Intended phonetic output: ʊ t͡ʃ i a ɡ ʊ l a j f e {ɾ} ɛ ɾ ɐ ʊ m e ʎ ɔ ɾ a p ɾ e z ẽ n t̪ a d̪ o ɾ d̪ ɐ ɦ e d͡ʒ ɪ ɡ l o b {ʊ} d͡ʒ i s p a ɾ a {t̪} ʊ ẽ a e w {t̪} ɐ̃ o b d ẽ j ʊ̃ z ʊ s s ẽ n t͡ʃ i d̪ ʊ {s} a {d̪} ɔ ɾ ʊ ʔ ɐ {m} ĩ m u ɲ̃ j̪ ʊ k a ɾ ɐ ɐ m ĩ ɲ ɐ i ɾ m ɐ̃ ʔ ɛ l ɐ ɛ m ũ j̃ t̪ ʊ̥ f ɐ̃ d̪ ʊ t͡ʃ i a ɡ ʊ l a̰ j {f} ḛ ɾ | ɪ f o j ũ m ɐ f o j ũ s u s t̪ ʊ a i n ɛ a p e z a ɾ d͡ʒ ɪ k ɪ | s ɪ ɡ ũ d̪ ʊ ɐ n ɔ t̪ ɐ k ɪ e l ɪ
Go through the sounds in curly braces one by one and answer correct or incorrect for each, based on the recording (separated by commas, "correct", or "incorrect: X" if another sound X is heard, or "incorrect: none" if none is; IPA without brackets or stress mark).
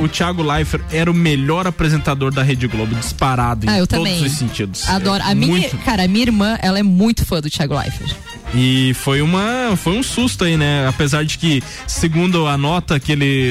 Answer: correct, correct, incorrect: d̪, correct, correct, correct, correct, correct